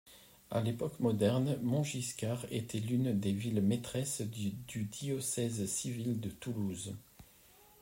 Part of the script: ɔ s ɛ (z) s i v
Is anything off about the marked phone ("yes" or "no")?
no